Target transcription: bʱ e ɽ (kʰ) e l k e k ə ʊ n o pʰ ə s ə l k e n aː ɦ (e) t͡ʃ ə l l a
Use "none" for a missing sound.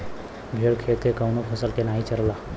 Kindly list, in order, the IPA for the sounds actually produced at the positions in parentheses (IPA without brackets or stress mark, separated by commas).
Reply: kʰ, i